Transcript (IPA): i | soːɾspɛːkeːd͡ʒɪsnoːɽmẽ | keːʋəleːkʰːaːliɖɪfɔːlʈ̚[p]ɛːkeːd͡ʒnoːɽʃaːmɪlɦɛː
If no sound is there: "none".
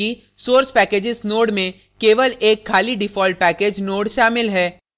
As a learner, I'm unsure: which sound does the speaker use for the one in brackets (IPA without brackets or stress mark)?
p